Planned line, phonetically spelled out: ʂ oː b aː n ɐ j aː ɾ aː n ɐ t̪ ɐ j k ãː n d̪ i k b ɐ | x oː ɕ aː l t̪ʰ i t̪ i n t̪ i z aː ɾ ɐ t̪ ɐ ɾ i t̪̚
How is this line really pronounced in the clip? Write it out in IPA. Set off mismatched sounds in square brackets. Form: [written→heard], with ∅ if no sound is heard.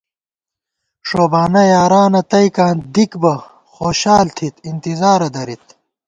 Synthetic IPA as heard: ʂ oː b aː n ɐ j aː ɾ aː n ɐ t̪ ɐ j k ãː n d̪ i k b ɐ | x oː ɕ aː l t̪ʰ i t̪ i n t̪ i z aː ɾ ɐ [t̪→d̪] ɐ ɾ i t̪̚